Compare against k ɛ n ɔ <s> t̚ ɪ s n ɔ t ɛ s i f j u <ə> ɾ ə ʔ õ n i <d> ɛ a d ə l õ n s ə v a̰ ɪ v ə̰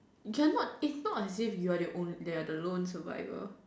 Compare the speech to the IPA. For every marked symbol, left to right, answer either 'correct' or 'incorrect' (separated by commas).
incorrect, incorrect, correct